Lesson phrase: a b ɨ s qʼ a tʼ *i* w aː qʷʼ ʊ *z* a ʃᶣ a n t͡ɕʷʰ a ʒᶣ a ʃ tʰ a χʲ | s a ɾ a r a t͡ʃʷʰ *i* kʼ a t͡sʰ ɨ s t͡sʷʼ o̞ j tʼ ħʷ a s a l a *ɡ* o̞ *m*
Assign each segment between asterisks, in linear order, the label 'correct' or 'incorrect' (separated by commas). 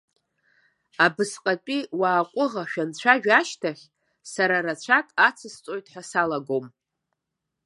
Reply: correct, incorrect, incorrect, correct, correct